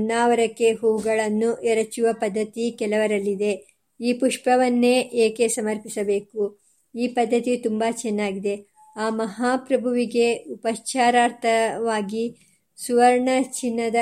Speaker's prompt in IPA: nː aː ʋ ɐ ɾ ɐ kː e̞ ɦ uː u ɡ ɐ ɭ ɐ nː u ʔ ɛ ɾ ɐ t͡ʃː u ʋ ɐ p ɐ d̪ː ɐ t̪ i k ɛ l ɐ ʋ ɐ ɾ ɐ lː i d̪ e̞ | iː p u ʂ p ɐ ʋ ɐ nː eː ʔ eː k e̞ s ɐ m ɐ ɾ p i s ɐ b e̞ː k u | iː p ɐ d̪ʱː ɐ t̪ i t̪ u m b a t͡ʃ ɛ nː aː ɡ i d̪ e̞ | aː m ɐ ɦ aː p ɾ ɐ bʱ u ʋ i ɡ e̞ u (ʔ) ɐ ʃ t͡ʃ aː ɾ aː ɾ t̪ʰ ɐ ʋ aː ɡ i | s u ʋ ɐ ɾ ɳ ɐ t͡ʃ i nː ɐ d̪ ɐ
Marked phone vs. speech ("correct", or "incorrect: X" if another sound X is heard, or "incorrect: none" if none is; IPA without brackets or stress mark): incorrect: p